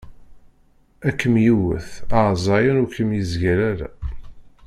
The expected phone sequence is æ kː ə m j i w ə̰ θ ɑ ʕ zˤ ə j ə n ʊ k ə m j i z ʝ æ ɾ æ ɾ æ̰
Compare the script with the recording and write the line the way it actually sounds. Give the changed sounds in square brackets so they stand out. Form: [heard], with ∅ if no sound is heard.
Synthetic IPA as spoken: æ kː ə m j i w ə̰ θ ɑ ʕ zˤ [ɑ] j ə n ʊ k ə m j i z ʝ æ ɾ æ ɾ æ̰